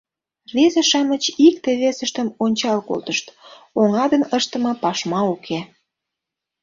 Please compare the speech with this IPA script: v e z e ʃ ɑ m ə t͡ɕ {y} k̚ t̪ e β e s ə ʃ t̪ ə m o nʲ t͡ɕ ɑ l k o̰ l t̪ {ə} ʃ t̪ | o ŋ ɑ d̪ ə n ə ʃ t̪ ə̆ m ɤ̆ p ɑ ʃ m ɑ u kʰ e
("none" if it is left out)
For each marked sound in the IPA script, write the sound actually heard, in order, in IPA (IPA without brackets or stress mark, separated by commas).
i, ə